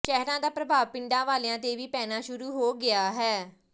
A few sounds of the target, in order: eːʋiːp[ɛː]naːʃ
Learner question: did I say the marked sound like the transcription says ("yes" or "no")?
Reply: yes